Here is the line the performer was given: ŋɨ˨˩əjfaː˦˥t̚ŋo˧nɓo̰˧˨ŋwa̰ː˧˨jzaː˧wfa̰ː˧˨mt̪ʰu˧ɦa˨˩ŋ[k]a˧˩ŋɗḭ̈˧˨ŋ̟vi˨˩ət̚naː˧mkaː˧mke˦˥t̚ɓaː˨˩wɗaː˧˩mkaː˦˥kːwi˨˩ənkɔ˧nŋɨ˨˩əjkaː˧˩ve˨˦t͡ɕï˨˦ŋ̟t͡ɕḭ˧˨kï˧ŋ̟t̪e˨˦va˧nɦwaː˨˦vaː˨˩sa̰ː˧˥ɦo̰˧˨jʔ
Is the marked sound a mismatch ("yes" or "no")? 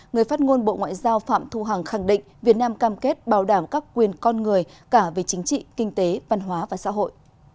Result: yes